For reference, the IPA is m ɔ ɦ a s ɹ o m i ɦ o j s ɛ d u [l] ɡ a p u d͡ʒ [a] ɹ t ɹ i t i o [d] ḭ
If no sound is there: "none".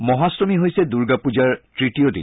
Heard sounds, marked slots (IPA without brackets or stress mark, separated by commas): ɹ, a, d